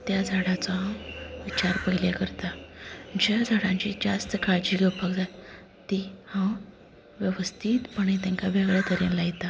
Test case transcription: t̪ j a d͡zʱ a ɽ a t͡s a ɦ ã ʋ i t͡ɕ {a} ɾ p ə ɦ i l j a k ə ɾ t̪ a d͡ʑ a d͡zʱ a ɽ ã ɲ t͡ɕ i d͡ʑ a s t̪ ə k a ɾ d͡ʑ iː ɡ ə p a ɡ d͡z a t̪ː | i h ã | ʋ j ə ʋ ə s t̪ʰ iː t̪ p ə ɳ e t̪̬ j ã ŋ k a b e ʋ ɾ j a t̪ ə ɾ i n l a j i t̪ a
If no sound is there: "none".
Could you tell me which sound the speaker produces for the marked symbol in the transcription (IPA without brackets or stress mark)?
a